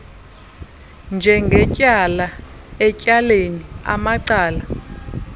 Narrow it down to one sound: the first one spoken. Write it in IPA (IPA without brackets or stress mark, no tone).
n